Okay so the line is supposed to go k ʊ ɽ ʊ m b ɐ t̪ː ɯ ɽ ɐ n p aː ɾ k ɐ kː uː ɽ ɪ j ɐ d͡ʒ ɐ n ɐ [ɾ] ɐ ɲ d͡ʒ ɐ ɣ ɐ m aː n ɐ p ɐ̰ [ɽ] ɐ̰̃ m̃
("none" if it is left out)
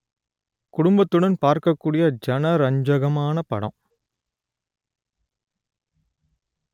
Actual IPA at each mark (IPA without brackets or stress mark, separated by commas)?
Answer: ɾ, ɽ